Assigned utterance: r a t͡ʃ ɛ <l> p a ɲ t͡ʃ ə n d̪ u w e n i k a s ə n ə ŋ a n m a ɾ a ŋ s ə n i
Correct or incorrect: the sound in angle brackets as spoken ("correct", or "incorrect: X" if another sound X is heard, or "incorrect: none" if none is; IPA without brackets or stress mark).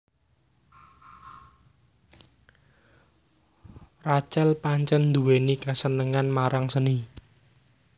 correct